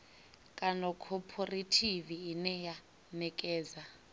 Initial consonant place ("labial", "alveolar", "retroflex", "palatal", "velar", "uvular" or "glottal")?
velar